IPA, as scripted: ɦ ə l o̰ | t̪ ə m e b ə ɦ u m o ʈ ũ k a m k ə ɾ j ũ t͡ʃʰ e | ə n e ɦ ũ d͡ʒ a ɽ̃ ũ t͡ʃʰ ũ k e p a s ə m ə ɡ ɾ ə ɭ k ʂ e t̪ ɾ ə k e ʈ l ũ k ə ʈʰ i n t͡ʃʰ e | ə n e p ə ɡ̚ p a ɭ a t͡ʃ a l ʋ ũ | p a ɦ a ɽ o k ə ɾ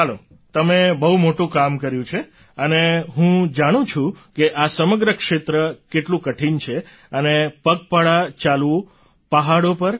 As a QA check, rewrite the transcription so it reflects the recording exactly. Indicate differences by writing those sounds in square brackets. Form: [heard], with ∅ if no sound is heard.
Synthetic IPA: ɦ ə l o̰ | t̪ ə m e b ə ɦ u m o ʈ ũ k a m k ə ɾ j ũ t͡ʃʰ e | ə n e ɦ ũ d͡ʒ a ɽ̃ ũ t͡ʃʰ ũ k e [ʔ] a s ə m ə ɡ ɾ ə [∅] k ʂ e t̪ ɾ ə k e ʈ l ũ k ə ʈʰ i n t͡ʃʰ e | ə n e p ə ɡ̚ p a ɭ a t͡ʃ a l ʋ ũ | p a ɦ a ɽ o [p] ə ɾ